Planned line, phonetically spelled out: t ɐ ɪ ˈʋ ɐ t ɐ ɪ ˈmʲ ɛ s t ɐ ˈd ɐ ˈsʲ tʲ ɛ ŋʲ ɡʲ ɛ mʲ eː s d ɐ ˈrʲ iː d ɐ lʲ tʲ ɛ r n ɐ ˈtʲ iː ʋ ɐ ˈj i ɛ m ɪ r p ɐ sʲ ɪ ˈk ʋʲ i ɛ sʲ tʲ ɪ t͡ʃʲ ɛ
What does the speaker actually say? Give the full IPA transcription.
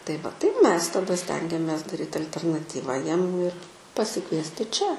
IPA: t ɐ ɪ ˈʋ ɐ t ɐ ɪ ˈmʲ ɛ s t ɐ ˈd ɐ ˈsʲ tʲ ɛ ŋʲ ɡʲ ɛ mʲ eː s d ɐ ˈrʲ iː t ɐ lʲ tʲ ɛ r n ɐ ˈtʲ iː ʋ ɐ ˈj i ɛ m ɪ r p ɐ sʲ ɪ ˈk ʋʲ i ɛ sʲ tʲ ɪ t͡ʃʲ ɛ